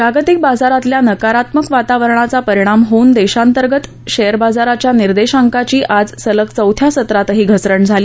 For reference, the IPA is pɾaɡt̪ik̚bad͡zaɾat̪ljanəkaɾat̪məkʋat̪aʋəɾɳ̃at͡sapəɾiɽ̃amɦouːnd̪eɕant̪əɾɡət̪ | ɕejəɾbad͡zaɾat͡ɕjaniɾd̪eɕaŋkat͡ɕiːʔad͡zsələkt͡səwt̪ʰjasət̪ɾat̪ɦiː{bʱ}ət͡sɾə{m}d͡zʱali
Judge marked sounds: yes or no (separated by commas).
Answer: no, no